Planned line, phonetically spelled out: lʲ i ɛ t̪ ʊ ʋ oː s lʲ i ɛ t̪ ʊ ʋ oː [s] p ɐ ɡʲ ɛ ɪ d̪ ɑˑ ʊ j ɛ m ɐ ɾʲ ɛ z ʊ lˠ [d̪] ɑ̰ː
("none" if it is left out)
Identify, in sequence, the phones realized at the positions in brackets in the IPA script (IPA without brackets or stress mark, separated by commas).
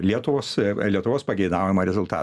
s, t̪